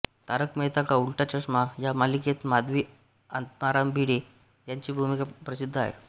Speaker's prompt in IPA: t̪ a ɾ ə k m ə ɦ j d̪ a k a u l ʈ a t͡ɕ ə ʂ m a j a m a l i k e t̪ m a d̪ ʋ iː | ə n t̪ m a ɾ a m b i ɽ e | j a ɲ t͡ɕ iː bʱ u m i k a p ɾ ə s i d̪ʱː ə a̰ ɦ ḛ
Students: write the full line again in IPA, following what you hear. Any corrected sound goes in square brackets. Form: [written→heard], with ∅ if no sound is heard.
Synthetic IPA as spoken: t̪ a ɾ ə k m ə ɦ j [d̪→t̪] a k a u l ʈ a t͡ɕ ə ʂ m a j a m a l i k e t̪ m a d̪ ʋ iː | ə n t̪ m a ɾ a m b i ɽ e | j a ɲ t͡ɕ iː bʱ u m i k a p ɾ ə s i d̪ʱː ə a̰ ɦ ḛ